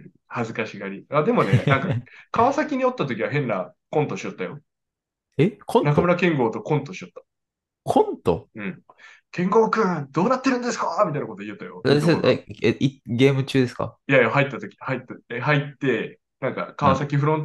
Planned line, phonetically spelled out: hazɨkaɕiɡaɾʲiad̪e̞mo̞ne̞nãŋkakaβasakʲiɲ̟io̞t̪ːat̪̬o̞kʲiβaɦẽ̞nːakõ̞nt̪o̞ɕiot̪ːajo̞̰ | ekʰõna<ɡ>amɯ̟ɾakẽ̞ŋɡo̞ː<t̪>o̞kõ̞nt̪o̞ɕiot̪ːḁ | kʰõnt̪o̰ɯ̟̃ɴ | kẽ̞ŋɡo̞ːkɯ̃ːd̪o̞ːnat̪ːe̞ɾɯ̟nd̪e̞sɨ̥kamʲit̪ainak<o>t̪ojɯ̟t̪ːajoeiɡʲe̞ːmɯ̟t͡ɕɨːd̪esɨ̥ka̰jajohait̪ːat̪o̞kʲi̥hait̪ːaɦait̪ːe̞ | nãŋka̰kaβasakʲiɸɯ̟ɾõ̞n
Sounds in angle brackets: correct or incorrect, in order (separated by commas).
incorrect, correct, correct